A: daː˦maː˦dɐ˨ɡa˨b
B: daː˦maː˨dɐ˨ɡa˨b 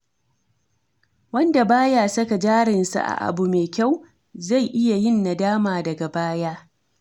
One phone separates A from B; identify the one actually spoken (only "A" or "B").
B